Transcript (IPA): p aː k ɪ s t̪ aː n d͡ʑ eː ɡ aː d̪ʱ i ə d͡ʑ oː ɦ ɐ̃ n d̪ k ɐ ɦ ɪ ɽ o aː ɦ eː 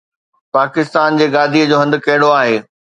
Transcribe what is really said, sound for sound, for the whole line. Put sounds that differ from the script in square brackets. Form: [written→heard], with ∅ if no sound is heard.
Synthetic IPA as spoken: p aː k ɪ s t̪ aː n d͡ʑ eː ɡ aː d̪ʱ i ə d͡ʑ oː ɦ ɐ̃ n d̪ k ɐ ɦ ɪ ɽ o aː ɦ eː